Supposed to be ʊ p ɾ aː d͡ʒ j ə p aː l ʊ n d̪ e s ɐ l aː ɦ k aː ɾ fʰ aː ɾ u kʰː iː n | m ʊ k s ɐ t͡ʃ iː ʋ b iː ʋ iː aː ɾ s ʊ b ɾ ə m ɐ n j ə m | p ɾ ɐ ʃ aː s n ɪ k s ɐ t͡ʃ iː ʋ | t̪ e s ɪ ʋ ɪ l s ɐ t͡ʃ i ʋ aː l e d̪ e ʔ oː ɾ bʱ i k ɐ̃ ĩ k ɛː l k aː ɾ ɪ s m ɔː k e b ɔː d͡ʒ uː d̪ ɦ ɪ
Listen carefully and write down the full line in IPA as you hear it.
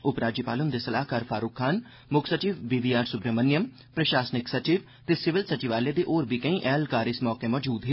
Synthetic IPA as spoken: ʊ p ɾ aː d͡ʒ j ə p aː l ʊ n d̪ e s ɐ l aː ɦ k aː ɾ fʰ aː ɾ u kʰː aː n | m ʊ k s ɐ t͡ʃ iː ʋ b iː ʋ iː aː ɾ s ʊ b ɾ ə m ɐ n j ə m | p ɾ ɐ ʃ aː s n ɪ k s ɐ t͡ʃ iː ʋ | t̪ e s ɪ ʋ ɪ l s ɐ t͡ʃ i ʋ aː l e d̪ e ʔ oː ɾ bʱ i k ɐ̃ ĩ ʔ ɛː l k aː ɾ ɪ s m ɔː k e m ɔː d͡ʒ uː d̪ ɦ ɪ